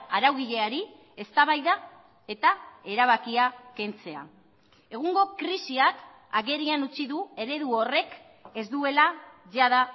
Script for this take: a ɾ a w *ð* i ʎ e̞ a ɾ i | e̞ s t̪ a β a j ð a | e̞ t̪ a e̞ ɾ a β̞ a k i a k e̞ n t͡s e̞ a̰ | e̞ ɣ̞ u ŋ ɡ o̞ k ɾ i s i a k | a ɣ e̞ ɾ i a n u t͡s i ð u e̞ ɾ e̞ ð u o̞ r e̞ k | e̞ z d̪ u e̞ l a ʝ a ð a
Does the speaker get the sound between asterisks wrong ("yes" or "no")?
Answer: yes